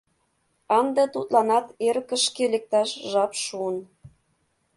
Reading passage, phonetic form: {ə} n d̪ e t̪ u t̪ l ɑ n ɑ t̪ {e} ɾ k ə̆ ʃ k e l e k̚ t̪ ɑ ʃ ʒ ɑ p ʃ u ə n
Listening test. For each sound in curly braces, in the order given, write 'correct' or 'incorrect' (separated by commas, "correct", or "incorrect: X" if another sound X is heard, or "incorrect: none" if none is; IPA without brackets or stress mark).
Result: incorrect: ɑ, correct